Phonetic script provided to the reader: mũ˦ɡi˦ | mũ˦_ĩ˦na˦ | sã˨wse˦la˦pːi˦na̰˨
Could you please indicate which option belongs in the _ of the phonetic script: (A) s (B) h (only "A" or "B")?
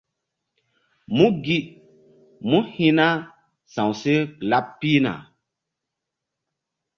B